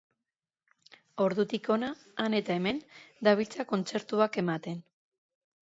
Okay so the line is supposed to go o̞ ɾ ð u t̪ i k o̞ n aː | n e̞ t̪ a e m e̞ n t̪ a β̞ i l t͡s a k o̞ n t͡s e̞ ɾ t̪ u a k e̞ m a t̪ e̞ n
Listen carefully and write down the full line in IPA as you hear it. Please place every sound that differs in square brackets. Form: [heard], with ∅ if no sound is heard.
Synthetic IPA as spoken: o̞ ɾ ð u t̪ i k o̞ n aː | n e̞ t̪ a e m e̞ n [d̪] a β̞ i l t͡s a k o̞ n t͡s e̞ ɾ t̪ u a k e̞ m a t̪ e̞ n